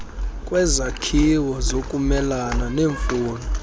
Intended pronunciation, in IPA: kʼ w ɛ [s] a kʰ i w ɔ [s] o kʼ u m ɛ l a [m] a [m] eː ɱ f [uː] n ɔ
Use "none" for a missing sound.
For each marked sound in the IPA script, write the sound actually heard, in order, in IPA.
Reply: z, z, n, n, uː

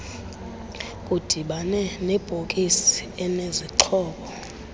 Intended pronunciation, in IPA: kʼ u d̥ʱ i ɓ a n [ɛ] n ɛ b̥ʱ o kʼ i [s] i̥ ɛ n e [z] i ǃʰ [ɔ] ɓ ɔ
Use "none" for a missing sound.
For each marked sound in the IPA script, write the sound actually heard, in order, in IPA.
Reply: ɛ, s, z, ɔː

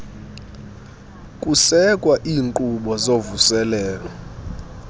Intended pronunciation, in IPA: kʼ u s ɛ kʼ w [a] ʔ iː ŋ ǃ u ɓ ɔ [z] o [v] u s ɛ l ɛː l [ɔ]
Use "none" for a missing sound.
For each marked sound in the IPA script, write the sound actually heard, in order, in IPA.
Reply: a, z, v, ɔ

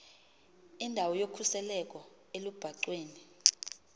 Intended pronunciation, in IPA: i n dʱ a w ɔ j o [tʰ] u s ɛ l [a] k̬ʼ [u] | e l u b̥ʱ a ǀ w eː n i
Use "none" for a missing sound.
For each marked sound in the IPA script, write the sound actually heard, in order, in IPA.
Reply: kʰ, ɛ, ɔ

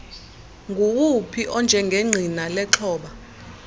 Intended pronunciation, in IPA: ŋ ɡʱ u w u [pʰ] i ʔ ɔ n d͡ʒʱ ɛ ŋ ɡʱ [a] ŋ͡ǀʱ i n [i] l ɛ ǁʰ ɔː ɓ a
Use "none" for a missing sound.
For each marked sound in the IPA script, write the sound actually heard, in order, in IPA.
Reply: pʰ, e, a

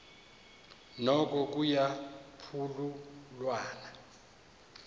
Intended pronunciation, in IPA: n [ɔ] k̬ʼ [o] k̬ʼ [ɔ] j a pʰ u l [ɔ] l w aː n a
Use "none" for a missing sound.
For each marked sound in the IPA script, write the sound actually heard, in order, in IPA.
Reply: ɔ, ɔ, u, u

